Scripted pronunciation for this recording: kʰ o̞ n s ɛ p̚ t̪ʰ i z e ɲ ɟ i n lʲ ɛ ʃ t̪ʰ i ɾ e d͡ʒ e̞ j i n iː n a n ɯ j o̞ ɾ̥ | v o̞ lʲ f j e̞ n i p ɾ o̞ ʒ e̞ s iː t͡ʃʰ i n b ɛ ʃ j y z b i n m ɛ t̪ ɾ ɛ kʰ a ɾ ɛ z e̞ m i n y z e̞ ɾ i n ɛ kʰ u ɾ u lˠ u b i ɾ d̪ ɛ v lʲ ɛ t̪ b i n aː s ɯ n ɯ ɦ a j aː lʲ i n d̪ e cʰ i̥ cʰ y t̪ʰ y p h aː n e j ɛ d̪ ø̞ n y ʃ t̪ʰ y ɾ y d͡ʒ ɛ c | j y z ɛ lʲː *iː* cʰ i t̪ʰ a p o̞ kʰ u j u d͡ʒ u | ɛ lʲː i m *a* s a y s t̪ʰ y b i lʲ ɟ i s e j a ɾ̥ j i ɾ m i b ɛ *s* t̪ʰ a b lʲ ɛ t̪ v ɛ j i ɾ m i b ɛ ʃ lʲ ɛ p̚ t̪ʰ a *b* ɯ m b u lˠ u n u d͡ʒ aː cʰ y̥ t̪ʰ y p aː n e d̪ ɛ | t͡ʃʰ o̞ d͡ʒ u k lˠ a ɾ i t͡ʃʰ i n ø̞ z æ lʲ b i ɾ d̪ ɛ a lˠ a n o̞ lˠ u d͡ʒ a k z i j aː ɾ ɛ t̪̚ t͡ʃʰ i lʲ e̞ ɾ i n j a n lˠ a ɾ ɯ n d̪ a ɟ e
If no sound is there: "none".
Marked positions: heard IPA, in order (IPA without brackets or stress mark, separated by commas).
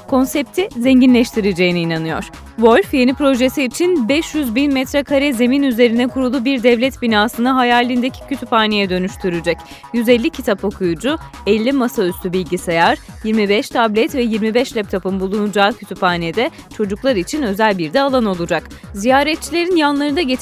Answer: i, a, ʃ, p